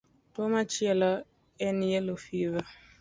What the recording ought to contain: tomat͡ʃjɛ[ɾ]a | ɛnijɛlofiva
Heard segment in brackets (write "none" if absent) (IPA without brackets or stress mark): l